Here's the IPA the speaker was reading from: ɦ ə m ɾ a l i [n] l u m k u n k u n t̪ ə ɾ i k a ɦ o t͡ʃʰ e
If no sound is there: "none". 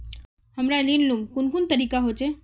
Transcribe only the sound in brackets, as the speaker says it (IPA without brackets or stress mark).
n